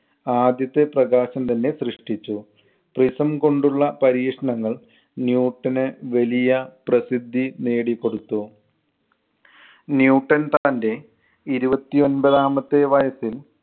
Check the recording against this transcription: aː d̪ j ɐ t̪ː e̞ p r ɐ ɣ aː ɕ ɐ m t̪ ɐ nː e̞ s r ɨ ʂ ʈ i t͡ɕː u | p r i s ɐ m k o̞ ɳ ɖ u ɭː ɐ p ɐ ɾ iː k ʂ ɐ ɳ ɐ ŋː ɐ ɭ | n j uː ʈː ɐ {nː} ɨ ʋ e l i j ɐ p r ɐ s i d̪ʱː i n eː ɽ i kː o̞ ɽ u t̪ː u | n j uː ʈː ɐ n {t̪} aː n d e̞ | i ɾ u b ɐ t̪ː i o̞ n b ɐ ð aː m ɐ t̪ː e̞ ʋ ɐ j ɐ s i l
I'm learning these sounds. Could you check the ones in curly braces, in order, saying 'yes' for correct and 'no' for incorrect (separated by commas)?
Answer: no, yes